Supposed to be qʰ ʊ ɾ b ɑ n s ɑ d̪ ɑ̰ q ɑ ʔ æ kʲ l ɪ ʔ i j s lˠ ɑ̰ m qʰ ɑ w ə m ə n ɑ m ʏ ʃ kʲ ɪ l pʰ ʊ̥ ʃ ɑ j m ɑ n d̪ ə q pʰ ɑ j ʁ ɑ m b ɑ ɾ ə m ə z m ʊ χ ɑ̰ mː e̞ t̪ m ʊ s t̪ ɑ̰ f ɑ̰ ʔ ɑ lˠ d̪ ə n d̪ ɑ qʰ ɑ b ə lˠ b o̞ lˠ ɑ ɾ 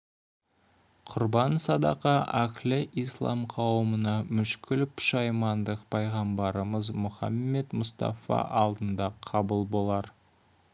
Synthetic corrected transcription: qʰ ʊ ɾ b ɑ n s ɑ d̪ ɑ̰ q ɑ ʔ æ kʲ l ɪ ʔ i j s lˠ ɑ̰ m qʰ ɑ w ə m ə n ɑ m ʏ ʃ kʲ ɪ l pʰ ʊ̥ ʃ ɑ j m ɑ n d̪ ə q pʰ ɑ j ʁ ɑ m b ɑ ɾ ə m ə z m ʊ χ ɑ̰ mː e̞ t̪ m ʊ s t̪ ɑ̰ f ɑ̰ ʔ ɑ lˠ d̪ ə n d̪ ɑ qʰ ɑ b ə lˠ b o̞ lˠ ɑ ɾ